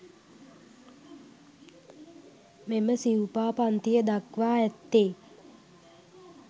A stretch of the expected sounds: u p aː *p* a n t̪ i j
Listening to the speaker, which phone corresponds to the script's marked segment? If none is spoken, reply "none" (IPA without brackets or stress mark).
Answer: p